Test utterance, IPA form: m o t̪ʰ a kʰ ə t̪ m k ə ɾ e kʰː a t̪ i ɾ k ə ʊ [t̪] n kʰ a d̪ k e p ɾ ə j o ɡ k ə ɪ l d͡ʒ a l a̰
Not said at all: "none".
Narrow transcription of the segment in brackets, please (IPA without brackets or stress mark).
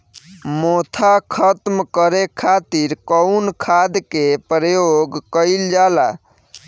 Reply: none